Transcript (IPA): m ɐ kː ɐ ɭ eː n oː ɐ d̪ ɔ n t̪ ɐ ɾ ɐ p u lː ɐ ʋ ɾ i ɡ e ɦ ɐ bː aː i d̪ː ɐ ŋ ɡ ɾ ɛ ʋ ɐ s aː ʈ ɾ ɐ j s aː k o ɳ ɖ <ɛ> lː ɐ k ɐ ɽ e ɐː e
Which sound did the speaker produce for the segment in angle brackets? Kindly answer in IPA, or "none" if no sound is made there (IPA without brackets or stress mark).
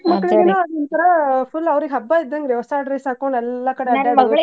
ɛ